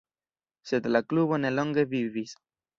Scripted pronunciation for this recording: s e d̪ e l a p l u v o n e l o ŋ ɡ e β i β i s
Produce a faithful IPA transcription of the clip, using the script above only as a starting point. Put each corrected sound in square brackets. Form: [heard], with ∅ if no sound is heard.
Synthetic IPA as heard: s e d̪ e l a [k] l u [β] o n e l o ŋ ɡ e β i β i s